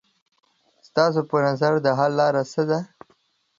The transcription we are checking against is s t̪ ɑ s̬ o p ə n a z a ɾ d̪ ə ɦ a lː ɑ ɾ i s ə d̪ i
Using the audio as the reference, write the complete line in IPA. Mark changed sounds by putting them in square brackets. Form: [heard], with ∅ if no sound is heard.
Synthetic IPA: s t̪ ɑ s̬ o p ə n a z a ɾ d̪ ə ɦ a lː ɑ ɾ [a] s ə d̪ [a]